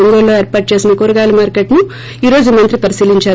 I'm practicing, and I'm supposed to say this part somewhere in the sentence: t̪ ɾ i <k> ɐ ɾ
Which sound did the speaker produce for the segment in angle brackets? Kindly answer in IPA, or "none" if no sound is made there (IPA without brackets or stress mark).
p